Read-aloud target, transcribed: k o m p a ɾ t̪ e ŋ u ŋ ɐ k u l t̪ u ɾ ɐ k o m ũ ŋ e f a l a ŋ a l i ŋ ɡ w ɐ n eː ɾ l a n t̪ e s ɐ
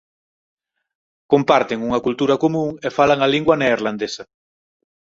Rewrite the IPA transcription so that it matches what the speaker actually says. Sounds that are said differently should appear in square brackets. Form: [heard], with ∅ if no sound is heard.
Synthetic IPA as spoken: k o m p a ɾ t̪ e ŋ u ŋ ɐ k u l t̪ u ɾ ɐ k o m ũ ŋ e f a l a ŋ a l i ŋ ɡ w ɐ n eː ɾ l a n [d̪] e s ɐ